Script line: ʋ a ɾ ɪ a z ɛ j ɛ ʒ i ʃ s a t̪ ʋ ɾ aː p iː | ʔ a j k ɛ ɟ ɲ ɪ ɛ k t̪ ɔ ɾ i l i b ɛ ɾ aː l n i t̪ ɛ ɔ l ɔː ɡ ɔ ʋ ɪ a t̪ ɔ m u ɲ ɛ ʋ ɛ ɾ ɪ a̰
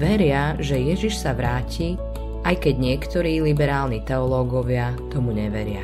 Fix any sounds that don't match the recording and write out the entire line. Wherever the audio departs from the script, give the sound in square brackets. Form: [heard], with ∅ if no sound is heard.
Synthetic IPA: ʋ [ɛ] ɾ ɪ a [ʒ] ɛ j ɛ ʒ i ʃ s a [∅] ʋ ɾ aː [c] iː | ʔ a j k ɛ ɟ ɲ ɪ ɛ k t̪ ɔ ɾ [iː] l i b ɛ ɾ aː l n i t̪ ɛ ɔ l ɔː ɡ ɔ ʋ ɪ a t̪ ɔ m u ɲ ɛ ʋ ɛ ɾ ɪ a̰